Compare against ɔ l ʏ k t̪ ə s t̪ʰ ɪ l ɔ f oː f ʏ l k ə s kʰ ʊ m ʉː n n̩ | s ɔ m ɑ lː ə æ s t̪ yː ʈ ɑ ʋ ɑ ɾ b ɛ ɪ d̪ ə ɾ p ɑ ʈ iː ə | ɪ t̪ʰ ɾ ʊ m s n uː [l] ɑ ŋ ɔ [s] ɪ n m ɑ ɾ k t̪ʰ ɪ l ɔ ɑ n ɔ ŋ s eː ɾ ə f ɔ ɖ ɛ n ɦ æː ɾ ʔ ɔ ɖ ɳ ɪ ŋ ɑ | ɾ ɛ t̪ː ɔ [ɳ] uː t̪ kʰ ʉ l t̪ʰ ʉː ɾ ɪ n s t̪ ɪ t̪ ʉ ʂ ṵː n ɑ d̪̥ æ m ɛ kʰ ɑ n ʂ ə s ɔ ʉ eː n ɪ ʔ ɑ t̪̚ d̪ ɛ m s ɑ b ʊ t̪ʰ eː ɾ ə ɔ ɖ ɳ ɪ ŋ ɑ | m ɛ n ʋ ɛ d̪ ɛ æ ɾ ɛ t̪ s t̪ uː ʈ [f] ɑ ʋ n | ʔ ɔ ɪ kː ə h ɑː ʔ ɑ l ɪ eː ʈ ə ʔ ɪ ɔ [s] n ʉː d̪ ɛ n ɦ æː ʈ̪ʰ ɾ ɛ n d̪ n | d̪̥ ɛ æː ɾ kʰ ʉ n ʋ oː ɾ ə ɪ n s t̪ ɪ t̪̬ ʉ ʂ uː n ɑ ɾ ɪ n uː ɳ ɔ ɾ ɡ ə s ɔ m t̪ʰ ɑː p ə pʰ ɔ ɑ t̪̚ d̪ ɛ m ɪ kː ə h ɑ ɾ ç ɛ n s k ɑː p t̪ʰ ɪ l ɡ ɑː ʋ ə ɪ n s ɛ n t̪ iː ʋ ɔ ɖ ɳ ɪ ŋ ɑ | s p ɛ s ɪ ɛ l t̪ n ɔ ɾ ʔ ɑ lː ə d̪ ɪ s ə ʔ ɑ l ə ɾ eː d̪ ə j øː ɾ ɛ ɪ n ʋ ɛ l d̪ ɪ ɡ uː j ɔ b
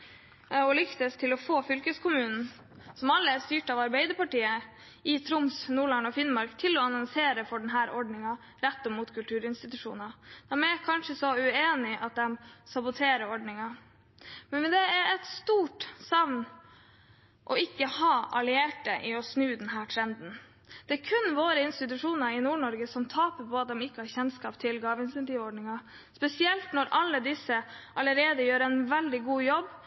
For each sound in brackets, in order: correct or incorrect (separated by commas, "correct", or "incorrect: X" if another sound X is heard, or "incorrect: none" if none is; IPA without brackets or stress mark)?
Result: incorrect: ɭ, incorrect: f, incorrect: m, incorrect: s, correct